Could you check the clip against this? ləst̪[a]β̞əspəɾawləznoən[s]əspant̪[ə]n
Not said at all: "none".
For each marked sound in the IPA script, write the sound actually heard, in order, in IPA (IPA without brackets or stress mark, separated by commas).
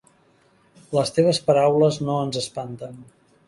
e, z, ə